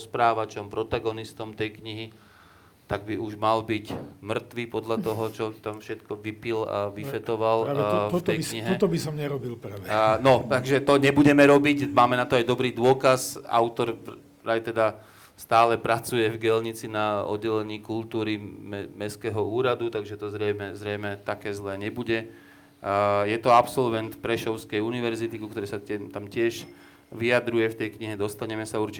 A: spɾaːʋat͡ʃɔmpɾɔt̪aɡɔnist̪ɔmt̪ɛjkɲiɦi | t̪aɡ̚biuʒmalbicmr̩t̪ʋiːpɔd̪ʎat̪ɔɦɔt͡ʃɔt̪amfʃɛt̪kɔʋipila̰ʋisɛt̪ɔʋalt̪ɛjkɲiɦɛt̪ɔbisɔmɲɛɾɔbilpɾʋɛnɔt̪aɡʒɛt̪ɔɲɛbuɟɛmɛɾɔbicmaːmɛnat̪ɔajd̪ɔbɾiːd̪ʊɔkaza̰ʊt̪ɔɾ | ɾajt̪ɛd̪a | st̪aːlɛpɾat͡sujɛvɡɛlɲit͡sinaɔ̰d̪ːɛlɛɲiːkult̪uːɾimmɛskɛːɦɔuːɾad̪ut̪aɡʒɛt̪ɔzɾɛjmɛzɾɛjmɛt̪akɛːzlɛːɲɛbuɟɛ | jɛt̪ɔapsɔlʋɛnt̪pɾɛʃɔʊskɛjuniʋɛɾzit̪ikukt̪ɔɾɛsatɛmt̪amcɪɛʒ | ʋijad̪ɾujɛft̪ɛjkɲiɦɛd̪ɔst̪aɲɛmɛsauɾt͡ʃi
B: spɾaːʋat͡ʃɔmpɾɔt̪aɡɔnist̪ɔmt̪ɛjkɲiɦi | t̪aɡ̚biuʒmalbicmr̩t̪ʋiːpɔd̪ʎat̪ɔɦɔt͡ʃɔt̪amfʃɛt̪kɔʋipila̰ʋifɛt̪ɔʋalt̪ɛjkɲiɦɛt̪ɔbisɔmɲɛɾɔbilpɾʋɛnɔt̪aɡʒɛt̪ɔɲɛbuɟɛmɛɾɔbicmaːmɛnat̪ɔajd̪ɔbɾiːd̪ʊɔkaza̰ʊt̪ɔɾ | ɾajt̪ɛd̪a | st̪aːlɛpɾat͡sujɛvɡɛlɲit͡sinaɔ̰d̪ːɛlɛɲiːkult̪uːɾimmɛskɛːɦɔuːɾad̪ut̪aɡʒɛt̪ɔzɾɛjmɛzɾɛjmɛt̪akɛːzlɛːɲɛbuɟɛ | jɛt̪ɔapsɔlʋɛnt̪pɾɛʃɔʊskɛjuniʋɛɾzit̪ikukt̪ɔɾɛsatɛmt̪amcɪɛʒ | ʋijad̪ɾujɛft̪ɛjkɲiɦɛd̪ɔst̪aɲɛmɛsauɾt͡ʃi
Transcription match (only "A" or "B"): B